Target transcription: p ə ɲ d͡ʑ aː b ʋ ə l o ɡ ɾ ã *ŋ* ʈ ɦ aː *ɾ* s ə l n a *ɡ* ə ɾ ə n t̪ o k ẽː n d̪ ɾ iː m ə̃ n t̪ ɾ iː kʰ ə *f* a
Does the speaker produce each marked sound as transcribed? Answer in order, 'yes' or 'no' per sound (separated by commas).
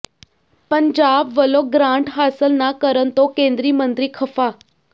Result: no, no, no, yes